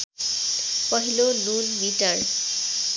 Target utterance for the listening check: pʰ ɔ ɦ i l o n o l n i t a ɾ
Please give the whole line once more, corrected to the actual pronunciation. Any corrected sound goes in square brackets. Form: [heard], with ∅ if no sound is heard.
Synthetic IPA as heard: [p] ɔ ɦ i l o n [u] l [m] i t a [ɹ]